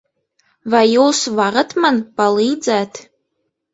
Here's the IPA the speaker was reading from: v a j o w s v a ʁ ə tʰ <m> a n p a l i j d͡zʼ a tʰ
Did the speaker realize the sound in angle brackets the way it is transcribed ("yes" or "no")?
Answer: yes